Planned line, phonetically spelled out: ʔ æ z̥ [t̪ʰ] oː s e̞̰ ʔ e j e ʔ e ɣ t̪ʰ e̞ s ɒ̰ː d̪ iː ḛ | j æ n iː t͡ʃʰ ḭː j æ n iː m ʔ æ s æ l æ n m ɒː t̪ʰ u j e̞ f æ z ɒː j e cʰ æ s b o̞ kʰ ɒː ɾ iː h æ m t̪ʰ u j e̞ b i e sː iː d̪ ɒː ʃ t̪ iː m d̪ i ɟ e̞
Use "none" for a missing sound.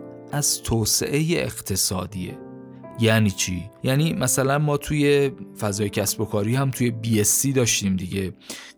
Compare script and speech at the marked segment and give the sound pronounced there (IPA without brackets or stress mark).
t̪ʰ